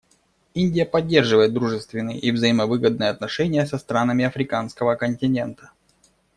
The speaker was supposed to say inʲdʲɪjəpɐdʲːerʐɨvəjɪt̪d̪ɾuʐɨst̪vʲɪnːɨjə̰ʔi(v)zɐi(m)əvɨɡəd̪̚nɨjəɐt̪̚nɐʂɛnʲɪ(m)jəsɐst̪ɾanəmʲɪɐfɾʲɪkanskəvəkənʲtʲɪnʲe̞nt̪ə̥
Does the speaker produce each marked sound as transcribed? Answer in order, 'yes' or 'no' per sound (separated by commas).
yes, yes, no